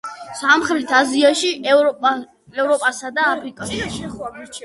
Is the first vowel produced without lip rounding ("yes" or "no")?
yes